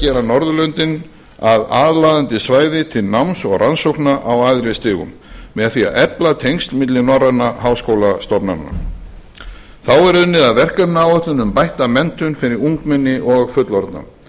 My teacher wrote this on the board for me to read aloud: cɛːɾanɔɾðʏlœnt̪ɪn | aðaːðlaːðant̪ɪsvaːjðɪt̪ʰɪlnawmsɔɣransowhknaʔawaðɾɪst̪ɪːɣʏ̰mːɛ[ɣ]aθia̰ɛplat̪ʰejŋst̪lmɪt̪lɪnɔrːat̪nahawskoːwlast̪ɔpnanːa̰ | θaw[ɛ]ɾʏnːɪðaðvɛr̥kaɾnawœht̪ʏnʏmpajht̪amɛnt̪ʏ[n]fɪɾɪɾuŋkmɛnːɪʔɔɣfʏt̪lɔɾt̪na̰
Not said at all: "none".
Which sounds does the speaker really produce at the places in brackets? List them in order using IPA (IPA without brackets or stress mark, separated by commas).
ð, ɛ, n